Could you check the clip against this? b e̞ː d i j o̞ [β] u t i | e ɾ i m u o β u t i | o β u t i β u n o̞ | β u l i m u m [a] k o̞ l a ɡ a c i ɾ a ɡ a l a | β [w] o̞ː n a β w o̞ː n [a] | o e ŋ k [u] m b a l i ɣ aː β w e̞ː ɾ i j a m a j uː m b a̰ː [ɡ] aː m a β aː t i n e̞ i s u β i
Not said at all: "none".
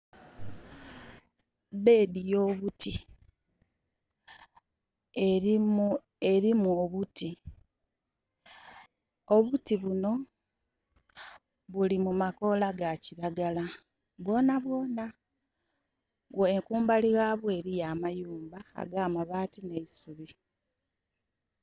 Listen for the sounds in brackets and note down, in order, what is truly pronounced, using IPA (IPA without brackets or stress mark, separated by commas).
β, a, w, a, uː, ɡ